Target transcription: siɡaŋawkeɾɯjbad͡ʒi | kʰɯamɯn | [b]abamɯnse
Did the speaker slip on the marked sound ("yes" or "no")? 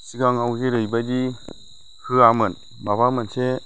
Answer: no